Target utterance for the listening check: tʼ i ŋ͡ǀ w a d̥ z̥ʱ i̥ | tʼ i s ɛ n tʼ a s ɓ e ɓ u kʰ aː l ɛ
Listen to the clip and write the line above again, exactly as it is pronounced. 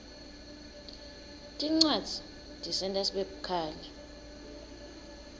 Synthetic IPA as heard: tʼ i ŋ͡ǀ w a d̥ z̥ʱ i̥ | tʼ i s ɛ n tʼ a s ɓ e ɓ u kʰ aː l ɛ

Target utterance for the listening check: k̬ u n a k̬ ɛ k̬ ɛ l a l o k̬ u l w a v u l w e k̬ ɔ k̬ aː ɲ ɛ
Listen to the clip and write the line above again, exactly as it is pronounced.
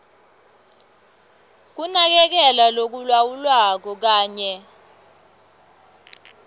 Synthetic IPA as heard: k̬ u n a k̬ ɛ k̬ ɛ l a l o k̬ u l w a w u l w a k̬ ɔ k̬ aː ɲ ɛ

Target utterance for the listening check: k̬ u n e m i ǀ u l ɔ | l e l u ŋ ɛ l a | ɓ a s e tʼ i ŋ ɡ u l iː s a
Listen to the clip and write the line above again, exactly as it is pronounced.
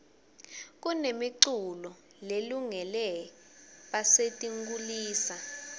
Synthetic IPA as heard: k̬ u n e m i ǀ u l ɔ | l e l u ŋ ɛ l ɛ | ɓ a s e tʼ i ŋ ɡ u l iː s a

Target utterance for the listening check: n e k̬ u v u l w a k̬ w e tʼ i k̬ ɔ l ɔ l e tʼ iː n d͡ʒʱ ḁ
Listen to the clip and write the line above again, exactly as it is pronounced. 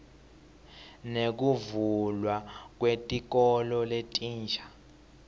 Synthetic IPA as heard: n e k̬ u v u l w a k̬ w e tʼ i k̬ ɔ l ɔ l e tʼ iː n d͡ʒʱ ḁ

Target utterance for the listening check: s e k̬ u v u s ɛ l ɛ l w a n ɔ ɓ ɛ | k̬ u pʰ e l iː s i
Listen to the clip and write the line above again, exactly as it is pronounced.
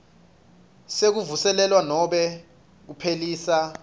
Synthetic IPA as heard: s e k̬ u v u s ɛ l ɛ l w a n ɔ ɓ ɛ | k̬ u pʰ e l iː s a

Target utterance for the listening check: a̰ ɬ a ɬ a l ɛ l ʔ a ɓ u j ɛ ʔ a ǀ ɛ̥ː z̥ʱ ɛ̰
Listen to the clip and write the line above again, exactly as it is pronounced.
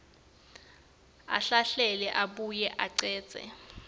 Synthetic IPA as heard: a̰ ɬ a ɬ ɛ l ɛ ʔ a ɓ u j ɛ ʔ a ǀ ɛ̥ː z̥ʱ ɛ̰

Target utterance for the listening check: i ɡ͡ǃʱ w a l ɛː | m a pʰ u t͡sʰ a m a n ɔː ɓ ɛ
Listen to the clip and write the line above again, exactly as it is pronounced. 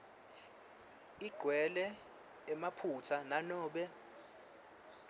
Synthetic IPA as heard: i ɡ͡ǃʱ w ɛ l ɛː | m a pʰ u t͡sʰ a n a n ɔː ɓ ɛ

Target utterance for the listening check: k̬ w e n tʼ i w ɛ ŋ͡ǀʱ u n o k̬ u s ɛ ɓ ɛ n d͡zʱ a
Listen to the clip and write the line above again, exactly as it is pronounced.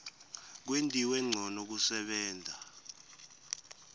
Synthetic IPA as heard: k̬ w e n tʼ i w ɛ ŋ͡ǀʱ ɔ n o k̬ u s ɛ ɓ ɛː n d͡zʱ a

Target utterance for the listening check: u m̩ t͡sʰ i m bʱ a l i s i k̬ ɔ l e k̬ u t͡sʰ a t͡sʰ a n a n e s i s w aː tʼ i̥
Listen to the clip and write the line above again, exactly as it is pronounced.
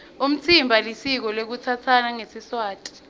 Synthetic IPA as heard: u m̩ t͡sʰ i m bʱ a l i s i k̬ ɔ l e k̬ u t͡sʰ a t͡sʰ a n a ŋ e s i s w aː tʼ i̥

